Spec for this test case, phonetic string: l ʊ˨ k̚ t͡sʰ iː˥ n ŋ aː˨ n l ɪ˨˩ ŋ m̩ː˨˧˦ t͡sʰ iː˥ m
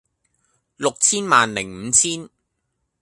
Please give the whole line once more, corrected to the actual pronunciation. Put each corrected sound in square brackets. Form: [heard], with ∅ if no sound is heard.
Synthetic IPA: l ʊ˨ k̚ t͡sʰ iː˥ n [m] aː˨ n l ɪ˨˩ ŋ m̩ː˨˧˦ t͡sʰ iː˥ [n]